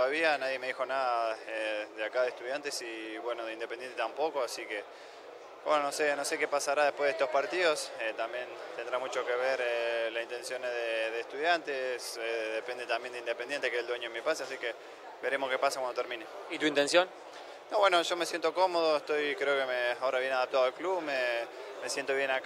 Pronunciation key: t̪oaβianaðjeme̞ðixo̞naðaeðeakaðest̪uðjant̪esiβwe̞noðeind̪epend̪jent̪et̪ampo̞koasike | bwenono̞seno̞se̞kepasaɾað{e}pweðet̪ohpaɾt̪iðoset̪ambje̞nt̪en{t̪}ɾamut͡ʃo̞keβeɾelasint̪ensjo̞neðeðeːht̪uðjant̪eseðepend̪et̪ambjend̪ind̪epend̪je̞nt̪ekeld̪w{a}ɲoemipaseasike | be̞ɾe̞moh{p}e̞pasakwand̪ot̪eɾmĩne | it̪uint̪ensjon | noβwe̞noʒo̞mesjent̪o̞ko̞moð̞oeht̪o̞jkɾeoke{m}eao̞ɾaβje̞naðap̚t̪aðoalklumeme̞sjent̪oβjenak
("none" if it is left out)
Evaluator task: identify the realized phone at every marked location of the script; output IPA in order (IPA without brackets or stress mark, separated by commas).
e, d̪, e, k, m